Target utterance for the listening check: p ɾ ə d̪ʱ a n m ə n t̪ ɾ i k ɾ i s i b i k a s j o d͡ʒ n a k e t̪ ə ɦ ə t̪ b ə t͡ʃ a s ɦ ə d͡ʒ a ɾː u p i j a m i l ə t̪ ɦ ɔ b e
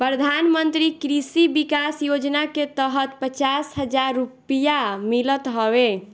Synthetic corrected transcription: p ɾ ə d̪ʱ a n m ə n t̪ ɾ i k ɾ i s i b i k a s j o d͡ʒ n a k e t̪ ə ɦ ə t̪ p ə t͡ʃ a s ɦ ə d͡ʒ a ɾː u p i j a m i l ə t̪ ɦ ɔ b e